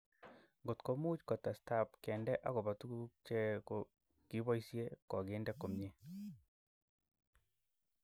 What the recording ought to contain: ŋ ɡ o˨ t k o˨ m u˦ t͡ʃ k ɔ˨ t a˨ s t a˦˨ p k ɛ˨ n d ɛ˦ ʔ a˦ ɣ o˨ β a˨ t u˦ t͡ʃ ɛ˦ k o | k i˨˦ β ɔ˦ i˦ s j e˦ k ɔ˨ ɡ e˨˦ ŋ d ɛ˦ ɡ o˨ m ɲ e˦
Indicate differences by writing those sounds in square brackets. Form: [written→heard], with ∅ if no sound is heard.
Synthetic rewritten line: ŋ ɡ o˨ t k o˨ m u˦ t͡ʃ k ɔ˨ t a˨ s t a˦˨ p k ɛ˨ n d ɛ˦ ʔ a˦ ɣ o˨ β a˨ t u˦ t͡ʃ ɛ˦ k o | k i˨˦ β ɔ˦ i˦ s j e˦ k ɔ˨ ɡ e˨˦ [ŋ→n] d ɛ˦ [ɡ→k] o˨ m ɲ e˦